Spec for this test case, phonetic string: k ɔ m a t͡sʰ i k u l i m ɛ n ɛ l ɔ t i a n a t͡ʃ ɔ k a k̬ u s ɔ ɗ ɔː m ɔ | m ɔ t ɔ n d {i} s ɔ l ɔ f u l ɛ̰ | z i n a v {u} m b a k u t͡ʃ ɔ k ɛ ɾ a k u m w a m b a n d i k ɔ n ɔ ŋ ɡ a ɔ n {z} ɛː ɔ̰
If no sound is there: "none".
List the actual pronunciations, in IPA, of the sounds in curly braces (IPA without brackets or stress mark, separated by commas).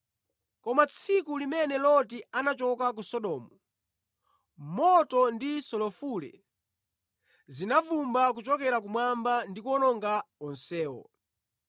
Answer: i, u, s